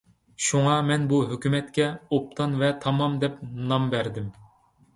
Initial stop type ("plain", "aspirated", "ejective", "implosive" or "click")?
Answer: plain